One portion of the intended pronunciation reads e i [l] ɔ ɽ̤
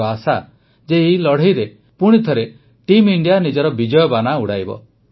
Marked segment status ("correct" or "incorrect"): correct